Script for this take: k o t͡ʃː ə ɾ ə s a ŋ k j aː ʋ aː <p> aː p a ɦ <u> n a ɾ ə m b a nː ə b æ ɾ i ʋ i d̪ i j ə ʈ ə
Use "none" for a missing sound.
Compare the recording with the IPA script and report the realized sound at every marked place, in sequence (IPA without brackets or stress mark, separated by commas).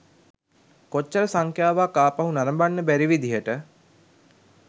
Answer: k, u